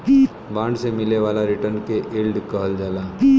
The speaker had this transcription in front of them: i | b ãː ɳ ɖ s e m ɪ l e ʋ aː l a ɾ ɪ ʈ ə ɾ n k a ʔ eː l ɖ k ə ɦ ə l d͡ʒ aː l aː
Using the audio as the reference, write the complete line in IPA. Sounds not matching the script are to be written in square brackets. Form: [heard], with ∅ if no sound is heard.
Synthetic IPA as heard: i | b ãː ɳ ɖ s e m ɪ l e ʋ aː l a ɾ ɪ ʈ ə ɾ n k [e] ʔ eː l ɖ k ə ɦ ə l d͡ʒ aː l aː